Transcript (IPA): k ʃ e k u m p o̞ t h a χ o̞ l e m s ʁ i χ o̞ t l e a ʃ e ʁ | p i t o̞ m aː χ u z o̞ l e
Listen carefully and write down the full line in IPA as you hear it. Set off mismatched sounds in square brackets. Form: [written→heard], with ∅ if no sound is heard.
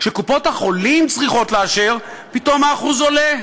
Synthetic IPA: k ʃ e k u [m→∅] p o̞ t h a χ o̞ l [e→i] m [s→t͡s] ʁ i χ o̞ t l e a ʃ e ʁ | p i t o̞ m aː χ u z o̞ l e

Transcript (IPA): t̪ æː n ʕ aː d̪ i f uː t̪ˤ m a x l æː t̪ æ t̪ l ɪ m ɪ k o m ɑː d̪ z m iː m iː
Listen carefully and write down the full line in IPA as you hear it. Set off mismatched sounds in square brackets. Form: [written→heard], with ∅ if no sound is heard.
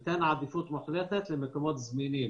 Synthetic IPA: t̪ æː n ʕ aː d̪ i f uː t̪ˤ m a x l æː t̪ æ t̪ l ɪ m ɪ k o m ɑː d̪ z m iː [m→n] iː

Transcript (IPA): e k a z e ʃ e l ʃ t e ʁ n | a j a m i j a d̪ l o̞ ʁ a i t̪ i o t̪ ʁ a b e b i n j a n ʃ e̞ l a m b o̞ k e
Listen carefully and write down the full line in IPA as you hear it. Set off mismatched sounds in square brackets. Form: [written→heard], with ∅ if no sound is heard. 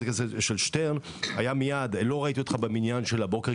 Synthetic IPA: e k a z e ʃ e l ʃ t e ʁ n | a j a m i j a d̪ l o̞ ʁ a i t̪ i o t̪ [ʁ→χ] a b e [b→m] i n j a n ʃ e̞ l a [m→∅] b o̞ k e

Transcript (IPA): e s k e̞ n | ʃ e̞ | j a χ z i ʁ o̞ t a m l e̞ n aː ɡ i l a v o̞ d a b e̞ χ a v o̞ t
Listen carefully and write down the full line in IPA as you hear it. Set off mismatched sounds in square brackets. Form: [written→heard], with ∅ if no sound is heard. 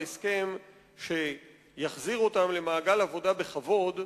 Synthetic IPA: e s k e̞ [n→m] | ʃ e̞ | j a χ z i ʁ o̞ t a m l e̞ [n→m] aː ɡ [i→a] l a v o̞ d a b e̞ χ a v o̞ [t→d]

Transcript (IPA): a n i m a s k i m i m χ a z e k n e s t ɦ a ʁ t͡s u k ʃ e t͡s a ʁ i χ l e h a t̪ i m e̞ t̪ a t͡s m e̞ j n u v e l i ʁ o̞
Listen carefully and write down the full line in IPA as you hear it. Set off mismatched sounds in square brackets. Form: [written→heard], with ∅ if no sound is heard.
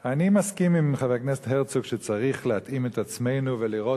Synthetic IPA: a n i m a s k i m i m χ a [z→v] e k n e s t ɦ [a→e] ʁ t͡s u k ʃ e t͡s a ʁ i χ l e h a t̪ i m e̞ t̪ a t͡s m e̞ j n u v e l i ʁ o̞

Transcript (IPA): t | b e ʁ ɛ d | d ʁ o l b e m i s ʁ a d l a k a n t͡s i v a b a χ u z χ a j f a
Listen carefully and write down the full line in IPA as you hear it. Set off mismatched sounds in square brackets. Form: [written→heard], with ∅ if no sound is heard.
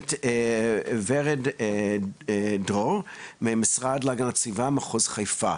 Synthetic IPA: t | [b→v] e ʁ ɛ d | d ʁ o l [b→m] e m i s ʁ a d l a [k→ɡ] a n t͡s i v a [b→m] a χ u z χ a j f a

